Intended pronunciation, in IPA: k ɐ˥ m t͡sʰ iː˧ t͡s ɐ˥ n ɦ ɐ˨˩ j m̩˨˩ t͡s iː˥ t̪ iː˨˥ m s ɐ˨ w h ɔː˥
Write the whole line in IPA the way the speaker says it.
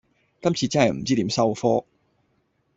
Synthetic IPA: k ɐ˥ m t͡sʰ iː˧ t͡s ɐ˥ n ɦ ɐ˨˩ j m̩˨˩ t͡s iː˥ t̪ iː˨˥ m s ɐ˥ w f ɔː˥